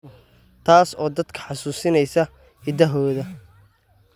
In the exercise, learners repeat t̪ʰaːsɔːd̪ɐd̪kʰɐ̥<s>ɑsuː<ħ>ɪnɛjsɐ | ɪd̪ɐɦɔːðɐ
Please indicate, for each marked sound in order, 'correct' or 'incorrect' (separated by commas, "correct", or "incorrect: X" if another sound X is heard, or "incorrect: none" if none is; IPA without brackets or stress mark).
incorrect: ħ, incorrect: s